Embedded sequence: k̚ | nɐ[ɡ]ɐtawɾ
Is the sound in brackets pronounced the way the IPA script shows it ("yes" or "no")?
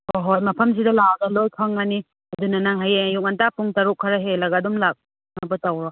no